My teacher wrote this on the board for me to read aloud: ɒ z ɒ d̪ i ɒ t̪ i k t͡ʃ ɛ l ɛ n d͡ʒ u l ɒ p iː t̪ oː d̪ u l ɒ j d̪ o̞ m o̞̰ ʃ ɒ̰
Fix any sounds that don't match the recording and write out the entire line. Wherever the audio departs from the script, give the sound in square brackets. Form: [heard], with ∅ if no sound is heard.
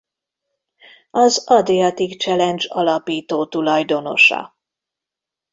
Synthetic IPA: ɒ z ɒ d̪ i ɒ t̪ i k t͡ʃ ɛ l ɛ n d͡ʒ [ɒ] l ɒ p iː t̪ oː [t̪] u l ɒ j d̪ o̞ [n] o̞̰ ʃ ɒ̰